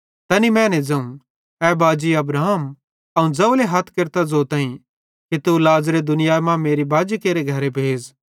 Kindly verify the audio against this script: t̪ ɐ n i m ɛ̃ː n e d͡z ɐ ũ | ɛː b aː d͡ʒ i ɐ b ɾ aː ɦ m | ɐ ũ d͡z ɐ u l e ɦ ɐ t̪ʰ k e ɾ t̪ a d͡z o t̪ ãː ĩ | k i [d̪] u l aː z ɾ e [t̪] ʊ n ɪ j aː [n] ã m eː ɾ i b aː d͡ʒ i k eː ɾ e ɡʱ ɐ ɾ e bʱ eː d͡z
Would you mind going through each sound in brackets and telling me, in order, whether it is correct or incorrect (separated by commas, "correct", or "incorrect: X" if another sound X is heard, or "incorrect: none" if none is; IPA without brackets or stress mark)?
incorrect: t̪, incorrect: d̪, incorrect: m